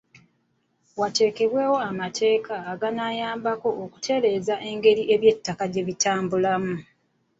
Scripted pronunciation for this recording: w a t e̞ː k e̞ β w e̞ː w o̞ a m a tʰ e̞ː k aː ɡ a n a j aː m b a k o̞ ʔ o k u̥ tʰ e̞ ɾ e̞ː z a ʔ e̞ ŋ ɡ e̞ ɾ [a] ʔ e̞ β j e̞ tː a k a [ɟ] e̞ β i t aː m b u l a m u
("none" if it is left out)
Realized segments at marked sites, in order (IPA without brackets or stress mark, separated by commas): i, ɟ